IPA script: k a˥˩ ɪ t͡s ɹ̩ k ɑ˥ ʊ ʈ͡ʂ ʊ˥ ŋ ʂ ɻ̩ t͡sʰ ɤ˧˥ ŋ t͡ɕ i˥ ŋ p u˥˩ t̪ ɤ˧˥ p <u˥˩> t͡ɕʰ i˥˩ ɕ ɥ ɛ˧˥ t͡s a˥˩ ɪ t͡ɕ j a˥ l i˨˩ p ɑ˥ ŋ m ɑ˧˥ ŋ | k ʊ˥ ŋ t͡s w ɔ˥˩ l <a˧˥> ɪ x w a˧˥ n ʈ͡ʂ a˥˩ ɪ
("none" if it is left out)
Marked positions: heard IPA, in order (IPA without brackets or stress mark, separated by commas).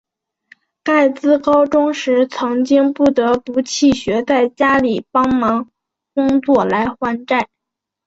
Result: u˧˥, a˧˥